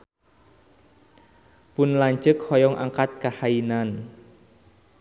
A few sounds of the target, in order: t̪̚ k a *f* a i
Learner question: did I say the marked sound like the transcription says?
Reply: no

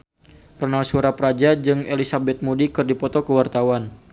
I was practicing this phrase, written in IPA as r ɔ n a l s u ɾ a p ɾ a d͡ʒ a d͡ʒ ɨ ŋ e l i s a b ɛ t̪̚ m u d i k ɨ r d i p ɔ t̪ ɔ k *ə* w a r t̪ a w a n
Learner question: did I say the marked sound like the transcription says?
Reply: yes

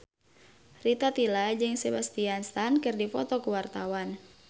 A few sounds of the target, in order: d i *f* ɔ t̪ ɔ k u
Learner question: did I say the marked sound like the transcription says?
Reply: yes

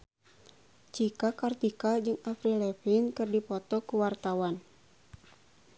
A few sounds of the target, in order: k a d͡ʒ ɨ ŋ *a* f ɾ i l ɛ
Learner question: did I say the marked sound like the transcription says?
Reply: yes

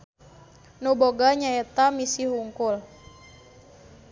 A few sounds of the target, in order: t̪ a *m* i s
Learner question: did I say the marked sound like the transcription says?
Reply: yes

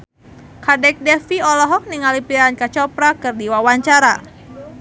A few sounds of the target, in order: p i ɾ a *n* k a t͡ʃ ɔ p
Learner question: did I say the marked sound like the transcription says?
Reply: yes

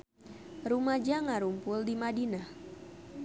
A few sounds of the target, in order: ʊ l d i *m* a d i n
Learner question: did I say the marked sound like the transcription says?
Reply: yes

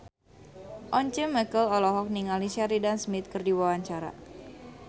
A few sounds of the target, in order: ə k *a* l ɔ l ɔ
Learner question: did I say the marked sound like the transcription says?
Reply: no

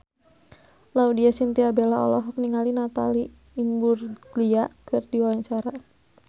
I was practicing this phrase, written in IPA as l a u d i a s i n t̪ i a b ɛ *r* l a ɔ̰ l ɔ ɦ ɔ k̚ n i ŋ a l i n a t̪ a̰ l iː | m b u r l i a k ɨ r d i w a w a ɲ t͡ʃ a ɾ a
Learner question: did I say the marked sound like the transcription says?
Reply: no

